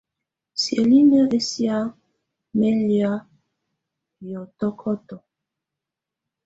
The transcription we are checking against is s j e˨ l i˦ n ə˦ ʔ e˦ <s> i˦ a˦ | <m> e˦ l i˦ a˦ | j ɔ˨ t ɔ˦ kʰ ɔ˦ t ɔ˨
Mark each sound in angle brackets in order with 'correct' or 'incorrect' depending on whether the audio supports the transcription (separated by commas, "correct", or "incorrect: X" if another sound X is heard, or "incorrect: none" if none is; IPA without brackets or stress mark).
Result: correct, correct